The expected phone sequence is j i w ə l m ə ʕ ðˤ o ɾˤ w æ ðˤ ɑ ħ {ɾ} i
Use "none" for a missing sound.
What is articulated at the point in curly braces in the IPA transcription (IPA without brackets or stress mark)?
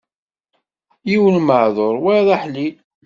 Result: l